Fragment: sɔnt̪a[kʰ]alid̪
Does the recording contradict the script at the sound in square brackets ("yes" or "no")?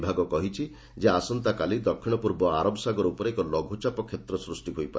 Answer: yes